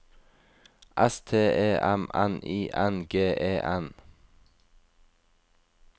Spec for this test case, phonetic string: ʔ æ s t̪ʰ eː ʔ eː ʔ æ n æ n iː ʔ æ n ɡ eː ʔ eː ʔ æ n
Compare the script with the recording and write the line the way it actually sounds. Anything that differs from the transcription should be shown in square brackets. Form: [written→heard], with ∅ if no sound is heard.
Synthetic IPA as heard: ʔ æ s t̪ʰ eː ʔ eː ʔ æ [n→m] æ n iː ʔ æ n ɡ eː ʔ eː ʔ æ n